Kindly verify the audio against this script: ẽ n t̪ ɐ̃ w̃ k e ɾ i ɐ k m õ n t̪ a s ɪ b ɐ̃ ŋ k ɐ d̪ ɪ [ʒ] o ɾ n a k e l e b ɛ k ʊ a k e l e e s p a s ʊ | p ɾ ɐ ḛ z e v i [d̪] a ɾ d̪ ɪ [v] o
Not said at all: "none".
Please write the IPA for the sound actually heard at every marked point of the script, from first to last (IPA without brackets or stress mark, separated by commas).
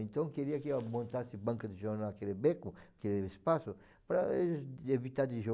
ʒ, t̪, ʒ